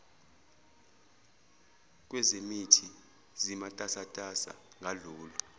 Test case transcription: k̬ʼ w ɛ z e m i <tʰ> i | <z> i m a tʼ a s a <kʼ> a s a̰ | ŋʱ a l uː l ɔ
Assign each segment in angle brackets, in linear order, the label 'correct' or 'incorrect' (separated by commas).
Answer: correct, correct, incorrect